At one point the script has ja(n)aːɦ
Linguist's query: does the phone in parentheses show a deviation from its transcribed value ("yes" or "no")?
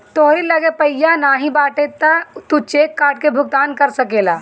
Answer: no